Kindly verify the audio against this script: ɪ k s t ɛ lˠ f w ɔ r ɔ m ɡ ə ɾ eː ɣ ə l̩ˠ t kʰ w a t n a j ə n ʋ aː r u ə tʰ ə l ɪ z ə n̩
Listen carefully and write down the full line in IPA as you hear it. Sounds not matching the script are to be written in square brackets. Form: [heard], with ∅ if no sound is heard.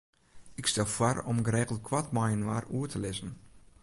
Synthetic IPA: ɪ k s t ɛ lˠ f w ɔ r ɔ m ɡ ə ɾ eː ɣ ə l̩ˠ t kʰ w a t [m] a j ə n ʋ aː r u ə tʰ ə l ɪ z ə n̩